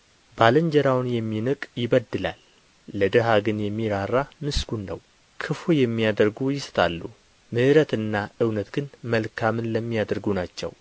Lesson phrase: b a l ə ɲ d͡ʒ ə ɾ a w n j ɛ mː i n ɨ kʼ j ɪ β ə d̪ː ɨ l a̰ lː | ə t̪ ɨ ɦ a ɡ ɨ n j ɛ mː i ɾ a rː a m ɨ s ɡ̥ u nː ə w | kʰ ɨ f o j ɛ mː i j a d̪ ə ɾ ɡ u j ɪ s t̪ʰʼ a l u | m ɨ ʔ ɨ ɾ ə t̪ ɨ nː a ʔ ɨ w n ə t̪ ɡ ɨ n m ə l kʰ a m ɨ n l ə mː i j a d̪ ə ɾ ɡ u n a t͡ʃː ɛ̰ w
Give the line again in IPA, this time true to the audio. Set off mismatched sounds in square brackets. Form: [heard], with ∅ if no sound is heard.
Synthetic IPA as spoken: b a l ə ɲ d͡ʒ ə ɾ a w n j ɛ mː i n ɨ kʼ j ɪ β ə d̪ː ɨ l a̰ lː | ə [d̪] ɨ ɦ a ɡ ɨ n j ɛ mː i ɾ a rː a m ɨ s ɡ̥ u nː ə w | kʰ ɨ f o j ɛ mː i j a d̪ ə ɾ ɡ u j ɪ s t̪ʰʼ a [lː] u | m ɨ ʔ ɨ ɾ ə t̪ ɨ nː a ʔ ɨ w n ə t̪ ɡ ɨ n m ə l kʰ a m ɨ n l ə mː i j a d̪ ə ɾ ɡ u n a t͡ʃː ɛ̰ w